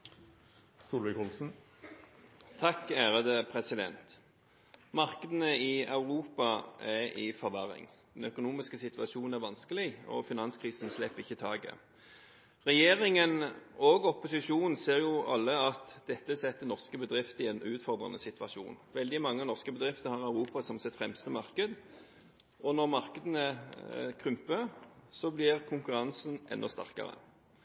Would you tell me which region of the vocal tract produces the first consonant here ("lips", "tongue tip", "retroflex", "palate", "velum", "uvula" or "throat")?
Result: tongue tip